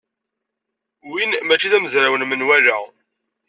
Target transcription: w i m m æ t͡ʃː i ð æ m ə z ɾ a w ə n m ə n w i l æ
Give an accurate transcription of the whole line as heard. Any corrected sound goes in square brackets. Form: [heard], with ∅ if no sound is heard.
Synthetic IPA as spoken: w i [n] m æ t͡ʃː i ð æ m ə z ɾ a w ə n m ə n w [æ] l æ